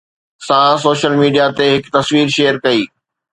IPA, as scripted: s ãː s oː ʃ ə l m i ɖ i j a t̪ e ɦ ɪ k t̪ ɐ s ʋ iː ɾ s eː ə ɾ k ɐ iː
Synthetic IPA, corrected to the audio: s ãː s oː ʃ ə l m iː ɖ i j a t̪ e ɦ ɪ k t̪ ɐ s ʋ iː ɾ ʃ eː ə ɾ k ɐ iː